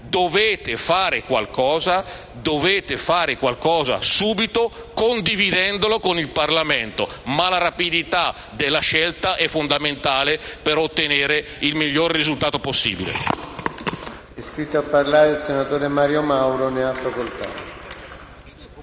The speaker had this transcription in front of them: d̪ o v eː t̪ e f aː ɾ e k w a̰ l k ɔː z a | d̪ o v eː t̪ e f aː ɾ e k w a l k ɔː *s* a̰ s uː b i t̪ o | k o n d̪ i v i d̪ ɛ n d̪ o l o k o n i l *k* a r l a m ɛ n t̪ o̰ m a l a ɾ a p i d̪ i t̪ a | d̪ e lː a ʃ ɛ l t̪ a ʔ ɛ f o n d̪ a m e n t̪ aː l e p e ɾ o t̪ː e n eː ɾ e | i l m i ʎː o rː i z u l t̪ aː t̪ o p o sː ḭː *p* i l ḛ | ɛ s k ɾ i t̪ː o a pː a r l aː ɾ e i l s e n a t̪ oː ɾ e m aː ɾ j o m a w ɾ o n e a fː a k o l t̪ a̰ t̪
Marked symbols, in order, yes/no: no, no, no

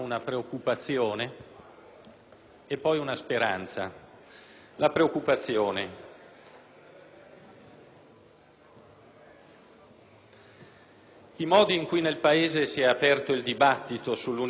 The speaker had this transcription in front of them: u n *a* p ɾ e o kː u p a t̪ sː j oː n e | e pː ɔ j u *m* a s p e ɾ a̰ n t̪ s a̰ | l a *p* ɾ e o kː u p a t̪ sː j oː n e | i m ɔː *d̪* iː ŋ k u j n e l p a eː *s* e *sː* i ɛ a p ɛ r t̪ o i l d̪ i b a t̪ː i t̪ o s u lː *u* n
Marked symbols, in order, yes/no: yes, no, yes, yes, no, no, yes

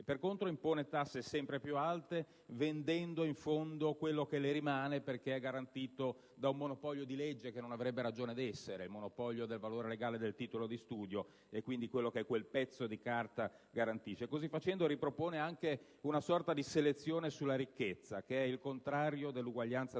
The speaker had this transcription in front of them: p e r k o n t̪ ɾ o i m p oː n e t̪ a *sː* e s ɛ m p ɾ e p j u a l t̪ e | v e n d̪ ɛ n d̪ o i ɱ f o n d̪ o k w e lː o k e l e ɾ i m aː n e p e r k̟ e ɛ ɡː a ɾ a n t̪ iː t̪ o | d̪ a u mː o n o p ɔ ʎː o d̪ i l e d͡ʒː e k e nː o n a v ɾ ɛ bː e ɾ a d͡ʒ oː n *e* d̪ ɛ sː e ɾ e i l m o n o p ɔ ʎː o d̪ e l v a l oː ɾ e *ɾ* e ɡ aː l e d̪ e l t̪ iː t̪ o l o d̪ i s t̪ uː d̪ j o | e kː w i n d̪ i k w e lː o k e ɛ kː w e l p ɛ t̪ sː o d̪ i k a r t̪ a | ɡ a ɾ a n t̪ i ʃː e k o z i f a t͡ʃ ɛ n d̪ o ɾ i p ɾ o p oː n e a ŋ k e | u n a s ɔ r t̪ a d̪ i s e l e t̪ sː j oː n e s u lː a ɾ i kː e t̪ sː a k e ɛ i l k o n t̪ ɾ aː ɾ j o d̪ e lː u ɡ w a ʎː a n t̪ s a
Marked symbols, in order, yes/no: yes, yes, no

